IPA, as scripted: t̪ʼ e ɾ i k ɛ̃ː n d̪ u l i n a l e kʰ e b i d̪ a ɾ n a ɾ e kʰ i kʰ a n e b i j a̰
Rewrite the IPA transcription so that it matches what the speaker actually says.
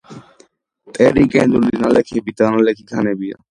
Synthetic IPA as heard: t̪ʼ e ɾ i k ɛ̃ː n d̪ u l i n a l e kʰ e b i t̪ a n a l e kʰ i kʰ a n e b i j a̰